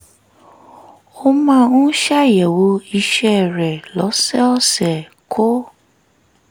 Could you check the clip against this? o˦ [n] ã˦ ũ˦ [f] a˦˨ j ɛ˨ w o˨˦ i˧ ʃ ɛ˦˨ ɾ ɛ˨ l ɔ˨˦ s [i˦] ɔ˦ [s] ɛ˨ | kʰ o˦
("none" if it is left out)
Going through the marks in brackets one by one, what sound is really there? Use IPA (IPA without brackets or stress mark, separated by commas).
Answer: m, ʃ, ɛ˦, s